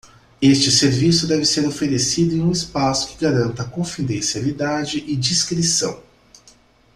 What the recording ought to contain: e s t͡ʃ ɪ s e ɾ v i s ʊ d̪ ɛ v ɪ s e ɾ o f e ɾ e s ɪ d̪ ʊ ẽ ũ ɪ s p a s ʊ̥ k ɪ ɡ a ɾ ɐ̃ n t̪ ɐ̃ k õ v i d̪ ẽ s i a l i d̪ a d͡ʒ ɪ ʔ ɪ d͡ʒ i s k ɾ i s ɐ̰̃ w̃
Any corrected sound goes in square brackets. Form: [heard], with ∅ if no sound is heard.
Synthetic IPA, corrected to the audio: e s t͡ʃ ɪ s e ɾ v i s ʊ d̪ ɛ v ɪ s e ɾ o f e ɾ e s [i] d̪ ʊ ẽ ũ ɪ s p a s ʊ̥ k ɪ ɡ a ɾ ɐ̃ n t̪ [ɐ] k õ [f] i d̪ ẽ s i a l i d̪ a d͡ʒ ɪ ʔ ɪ d͡ʒ i s k ɾ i s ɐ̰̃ w̃